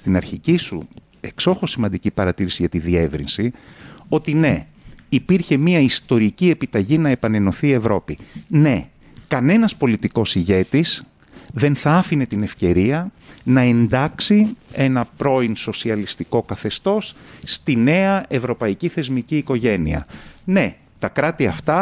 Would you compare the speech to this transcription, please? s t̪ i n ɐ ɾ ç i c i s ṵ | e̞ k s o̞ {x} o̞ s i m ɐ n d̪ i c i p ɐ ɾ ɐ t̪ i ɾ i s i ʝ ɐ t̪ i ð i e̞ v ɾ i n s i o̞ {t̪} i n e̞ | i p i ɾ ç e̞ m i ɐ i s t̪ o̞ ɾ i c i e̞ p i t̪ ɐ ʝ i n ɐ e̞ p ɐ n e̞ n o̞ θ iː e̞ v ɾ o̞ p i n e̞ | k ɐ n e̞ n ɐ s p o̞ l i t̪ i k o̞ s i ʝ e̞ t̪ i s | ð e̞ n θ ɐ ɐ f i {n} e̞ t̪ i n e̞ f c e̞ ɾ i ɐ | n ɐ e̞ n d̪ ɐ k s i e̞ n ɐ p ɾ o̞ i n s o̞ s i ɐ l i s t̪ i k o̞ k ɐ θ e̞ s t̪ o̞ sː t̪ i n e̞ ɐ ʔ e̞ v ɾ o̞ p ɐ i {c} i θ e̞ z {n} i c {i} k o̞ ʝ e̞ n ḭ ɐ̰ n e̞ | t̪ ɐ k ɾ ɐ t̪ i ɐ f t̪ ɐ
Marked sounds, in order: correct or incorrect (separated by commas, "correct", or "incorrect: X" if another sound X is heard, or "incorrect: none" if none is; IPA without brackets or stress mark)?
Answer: correct, correct, correct, correct, incorrect: m, incorrect: iː